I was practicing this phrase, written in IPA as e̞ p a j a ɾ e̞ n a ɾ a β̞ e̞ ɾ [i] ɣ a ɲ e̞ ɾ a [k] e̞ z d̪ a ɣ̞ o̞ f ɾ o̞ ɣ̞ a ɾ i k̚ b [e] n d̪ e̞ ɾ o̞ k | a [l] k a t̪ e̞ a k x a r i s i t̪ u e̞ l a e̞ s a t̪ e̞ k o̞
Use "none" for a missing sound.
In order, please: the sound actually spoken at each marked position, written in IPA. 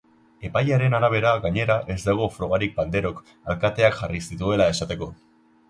a, ʔ, a, l

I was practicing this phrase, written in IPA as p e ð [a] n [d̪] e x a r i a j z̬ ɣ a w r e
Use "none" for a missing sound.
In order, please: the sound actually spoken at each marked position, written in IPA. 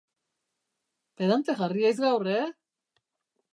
a, t̪

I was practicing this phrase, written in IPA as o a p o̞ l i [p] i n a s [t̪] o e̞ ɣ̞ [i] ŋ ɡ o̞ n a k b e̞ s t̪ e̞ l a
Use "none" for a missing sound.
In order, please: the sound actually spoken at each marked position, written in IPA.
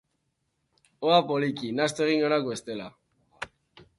k, t̪, i

